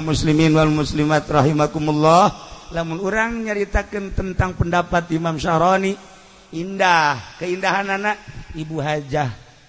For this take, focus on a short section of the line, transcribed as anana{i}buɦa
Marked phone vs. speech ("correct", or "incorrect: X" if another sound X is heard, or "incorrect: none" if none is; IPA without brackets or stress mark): correct